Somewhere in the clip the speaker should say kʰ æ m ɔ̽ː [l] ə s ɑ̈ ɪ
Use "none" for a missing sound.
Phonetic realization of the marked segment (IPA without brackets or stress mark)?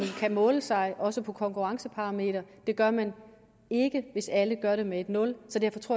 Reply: l